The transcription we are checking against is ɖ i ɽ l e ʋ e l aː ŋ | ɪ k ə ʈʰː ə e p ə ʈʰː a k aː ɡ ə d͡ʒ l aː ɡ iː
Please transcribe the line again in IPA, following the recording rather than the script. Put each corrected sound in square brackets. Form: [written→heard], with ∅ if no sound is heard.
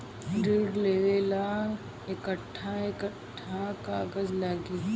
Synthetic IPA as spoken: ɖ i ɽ l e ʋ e l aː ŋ | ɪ k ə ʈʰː [ə→a] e [p→k] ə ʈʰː a k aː ɡ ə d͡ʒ l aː ɡ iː